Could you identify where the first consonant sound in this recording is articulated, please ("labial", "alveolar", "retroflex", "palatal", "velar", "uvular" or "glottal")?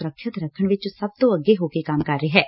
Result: alveolar